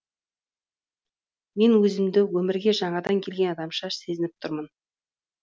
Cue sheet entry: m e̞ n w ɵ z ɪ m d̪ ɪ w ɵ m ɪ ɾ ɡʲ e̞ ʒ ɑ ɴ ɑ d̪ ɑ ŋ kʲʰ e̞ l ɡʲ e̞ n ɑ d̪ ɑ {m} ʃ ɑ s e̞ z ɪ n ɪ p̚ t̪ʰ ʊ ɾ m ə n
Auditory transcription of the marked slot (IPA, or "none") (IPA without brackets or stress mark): m